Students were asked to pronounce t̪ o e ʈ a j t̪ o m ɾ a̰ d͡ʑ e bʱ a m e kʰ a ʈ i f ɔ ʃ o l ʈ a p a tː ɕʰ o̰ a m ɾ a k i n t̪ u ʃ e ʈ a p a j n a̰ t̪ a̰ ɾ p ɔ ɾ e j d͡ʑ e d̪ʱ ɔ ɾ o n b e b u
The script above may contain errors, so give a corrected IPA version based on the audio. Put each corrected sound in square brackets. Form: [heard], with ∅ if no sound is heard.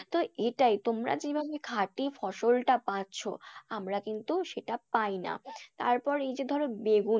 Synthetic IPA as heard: t̪ o e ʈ a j t̪ o m ɾ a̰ d͡ʑ e bʱ a [b] e kʰ a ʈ i f ɔ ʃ o l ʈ a p a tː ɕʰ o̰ a m ɾ a k i n t̪ u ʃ e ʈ a p a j n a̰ t̪ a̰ ɾ p ɔ ɾ e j d͡ʑ e d̪ʱ ɔ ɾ o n b e [ɡ] u